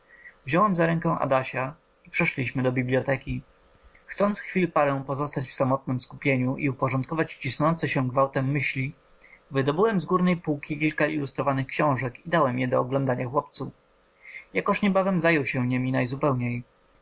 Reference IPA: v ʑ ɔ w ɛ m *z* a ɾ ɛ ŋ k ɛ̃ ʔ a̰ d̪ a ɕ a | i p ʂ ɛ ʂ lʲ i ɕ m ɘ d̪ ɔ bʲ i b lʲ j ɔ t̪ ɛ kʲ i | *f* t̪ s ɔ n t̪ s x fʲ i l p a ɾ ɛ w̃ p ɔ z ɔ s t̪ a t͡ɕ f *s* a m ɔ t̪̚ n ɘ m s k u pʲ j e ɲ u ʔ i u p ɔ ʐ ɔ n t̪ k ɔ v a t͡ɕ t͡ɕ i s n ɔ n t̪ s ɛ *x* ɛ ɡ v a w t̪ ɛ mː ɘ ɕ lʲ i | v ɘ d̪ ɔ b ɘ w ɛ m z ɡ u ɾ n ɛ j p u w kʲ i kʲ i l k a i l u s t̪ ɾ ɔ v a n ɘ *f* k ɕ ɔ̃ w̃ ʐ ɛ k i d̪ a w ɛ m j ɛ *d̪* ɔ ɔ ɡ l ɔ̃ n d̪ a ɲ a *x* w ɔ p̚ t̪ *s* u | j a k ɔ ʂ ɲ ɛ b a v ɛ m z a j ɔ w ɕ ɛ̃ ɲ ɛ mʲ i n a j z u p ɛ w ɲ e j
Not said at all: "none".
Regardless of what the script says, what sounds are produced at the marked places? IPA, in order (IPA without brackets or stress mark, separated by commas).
z, x, s, ɕ, x, d̪, x, s